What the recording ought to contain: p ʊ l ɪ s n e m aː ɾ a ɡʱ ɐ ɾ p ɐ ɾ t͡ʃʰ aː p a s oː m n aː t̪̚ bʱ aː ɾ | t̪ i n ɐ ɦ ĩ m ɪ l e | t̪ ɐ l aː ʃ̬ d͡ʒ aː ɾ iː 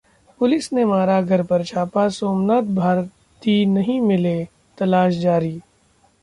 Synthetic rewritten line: p ʊ l ɪ s n e m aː ɾ a ɡʱ ɐ ɾ p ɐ ɾ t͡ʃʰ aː p a s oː m n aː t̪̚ bʱ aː ɾ | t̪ i n ɐ ɦ ĩ m ɪ l e | t̪ ɐ l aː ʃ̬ d͡ʒ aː ɾ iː